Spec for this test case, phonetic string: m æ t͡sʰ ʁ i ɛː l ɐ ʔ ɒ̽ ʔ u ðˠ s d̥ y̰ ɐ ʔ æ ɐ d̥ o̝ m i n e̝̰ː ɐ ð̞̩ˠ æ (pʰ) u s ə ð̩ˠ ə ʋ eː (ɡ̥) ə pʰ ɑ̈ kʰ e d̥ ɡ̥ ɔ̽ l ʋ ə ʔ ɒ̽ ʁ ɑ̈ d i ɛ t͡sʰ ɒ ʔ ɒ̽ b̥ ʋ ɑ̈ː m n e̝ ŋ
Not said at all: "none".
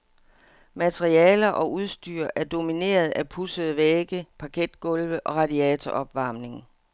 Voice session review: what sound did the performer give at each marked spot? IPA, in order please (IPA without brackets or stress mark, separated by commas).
pʰ, ɡ̥